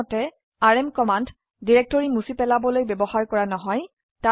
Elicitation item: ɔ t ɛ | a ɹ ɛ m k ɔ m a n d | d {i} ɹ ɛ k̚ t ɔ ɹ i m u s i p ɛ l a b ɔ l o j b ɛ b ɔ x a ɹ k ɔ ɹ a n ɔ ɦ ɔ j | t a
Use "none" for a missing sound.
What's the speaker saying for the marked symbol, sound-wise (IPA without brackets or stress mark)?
i